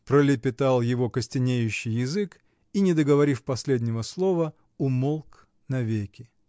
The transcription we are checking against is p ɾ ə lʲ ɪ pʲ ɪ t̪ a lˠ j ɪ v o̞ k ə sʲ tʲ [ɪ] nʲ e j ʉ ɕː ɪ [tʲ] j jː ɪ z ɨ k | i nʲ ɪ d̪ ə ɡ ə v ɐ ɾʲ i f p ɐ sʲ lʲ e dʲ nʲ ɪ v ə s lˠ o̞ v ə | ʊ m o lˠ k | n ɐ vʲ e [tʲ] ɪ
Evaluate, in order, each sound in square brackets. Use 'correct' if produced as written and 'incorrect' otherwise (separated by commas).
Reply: correct, incorrect, incorrect